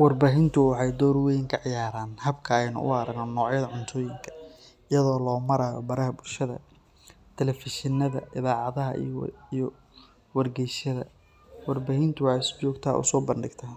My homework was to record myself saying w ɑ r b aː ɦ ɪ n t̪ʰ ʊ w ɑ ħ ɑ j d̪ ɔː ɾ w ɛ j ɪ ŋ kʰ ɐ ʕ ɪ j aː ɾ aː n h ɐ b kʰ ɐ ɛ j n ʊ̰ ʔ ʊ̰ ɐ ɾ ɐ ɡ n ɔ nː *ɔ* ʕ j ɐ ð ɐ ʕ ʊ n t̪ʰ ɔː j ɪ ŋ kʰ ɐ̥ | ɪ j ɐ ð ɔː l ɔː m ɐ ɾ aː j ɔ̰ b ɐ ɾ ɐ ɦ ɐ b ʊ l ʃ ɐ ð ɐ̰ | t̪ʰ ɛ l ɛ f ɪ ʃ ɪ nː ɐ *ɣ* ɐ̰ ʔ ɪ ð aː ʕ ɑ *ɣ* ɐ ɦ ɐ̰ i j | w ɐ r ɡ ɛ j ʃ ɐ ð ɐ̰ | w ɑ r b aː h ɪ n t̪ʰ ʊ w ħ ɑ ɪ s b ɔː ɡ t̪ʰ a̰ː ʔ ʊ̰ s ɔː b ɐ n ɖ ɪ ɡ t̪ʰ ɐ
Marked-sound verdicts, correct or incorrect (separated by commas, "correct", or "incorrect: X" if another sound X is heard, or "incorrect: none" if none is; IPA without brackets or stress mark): incorrect: ɔː, incorrect: ð, incorrect: ð